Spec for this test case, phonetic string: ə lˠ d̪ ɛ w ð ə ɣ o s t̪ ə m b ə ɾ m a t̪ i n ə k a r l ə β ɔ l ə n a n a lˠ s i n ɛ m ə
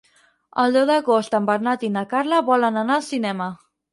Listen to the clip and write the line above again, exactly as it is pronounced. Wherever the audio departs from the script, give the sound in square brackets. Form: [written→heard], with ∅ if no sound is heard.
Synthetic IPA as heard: ə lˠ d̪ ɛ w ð ə ɣ o s t̪ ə m b ə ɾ [m→n] a t̪ i n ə k a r l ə β ɔ l ə n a n a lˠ s i n ɛ m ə